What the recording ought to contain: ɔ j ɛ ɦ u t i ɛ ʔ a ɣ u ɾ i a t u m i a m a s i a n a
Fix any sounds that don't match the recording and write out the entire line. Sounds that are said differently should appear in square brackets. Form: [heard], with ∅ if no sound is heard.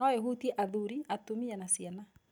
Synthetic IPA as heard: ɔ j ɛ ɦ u t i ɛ ʔ a [ð] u ɾ i a t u m i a [n] a s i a n a